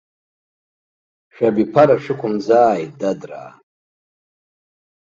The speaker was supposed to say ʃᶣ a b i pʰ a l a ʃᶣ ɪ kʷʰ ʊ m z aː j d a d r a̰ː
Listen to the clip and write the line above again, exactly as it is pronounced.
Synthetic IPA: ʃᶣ a b i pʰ a ɾ a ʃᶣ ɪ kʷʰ ʊ m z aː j d a d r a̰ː